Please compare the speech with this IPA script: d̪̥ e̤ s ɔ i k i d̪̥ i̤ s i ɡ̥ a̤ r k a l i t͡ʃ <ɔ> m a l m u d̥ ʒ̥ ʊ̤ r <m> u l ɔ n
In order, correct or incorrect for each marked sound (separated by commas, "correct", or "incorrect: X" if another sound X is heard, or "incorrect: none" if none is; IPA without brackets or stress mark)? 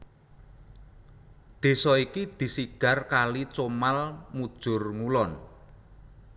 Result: incorrect: o, incorrect: ŋ